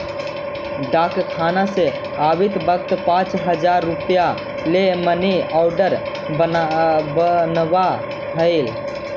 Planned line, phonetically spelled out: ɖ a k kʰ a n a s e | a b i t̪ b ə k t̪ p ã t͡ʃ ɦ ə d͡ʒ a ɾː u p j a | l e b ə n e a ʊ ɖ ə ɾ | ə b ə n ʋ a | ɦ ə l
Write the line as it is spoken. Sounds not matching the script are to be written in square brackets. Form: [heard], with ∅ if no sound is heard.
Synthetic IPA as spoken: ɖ a k kʰ a n a s e | a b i t̪ b ə k t̪ p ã t͡ʃ ɦ ə d͡ʒ a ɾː u p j a | l e [m] ə n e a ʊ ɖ ə ɾ | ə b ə n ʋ a | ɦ ə l